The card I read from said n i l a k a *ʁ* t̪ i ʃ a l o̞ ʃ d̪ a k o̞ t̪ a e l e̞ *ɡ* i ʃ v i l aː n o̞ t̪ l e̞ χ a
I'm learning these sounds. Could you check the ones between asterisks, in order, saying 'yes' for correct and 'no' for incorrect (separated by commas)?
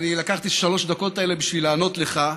no, no